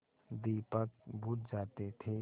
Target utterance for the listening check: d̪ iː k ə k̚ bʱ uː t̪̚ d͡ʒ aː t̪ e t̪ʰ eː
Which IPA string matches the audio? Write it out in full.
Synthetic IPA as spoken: d̪ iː p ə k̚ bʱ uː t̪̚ d͡ʒ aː t̪ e t̪ʰ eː